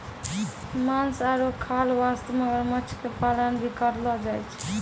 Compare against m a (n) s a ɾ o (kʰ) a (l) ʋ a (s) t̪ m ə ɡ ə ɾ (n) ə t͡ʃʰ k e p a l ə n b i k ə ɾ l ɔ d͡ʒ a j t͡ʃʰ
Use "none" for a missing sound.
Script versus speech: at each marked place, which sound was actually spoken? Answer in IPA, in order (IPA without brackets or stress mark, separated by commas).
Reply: n, kʰ, l, s, m